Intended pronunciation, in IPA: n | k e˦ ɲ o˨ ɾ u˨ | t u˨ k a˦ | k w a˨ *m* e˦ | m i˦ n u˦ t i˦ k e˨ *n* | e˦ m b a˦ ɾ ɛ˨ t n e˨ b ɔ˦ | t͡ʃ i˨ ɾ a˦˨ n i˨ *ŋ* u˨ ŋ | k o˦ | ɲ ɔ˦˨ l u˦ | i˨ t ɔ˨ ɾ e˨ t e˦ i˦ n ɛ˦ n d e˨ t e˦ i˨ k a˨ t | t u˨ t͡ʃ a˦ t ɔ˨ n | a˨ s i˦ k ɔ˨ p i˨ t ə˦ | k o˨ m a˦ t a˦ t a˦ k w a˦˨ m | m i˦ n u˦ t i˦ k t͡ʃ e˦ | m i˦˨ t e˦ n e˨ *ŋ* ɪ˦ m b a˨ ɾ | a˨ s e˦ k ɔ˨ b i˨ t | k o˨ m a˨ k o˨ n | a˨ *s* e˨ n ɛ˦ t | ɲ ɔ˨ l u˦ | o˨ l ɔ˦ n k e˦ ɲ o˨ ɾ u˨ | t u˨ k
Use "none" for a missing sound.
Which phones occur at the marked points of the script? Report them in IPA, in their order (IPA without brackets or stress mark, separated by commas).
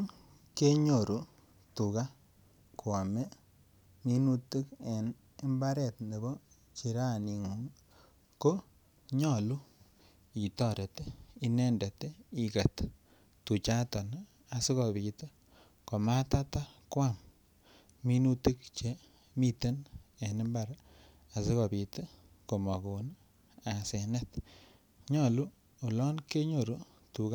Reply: m, n, ŋ, n, s